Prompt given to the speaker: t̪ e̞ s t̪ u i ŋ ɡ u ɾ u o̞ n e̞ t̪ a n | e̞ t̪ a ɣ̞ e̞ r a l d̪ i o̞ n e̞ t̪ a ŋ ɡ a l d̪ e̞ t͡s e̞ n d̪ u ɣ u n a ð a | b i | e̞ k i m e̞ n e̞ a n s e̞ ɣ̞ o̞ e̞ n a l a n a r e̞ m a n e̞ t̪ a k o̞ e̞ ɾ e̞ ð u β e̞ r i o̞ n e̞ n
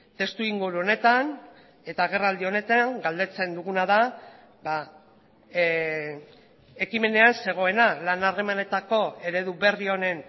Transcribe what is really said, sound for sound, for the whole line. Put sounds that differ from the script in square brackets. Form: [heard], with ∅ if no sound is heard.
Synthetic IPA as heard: t̪ e̞ s t̪ u i ŋ ɡ u ɾ u o̞ n e̞ t̪ a n | e̞ t̪ a ɣ̞ e̞ r a l d̪ i o̞ n e̞ t̪ a ŋ ɡ a l d̪ e̞ t͡s e̞ n d̪ u ɣ u n a ð a | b [a] | e̞ k i m e̞ n e̞ a n s e̞ ɣ̞ o̞ e̞ n a l a n a r e̞ m a n e̞ t̪ a k o̞ e̞ ɾ e̞ ð u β e̞ r i o̞ n e̞ n